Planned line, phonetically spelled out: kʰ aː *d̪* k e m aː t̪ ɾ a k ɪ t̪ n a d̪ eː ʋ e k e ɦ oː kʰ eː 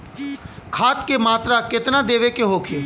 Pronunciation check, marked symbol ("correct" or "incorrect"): incorrect